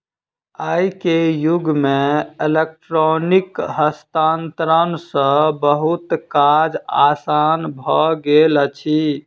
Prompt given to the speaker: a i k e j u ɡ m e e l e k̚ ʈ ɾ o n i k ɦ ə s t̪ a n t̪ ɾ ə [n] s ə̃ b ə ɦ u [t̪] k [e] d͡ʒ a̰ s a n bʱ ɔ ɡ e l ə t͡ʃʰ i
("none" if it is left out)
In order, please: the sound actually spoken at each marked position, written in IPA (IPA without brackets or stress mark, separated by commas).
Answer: n, t̪, a